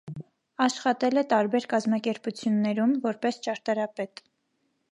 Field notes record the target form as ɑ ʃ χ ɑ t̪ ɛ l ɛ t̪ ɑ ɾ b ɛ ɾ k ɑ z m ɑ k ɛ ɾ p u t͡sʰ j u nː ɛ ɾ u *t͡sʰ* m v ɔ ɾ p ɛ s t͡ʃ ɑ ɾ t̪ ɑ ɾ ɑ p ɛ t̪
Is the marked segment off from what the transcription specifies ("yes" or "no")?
yes